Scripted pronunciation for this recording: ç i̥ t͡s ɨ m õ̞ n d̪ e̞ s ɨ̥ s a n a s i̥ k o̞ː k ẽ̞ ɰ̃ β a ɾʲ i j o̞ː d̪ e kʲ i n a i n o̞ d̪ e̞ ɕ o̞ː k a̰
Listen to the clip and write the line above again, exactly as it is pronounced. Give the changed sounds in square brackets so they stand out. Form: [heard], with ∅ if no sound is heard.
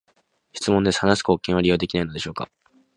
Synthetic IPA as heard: ç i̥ t͡s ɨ m õ̞ n d̪ e̞ s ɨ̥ [h] a n a s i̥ k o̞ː k ẽ̞ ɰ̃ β a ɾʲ i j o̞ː d̪ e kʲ i n a i n o̞ d̪ e̞ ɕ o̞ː k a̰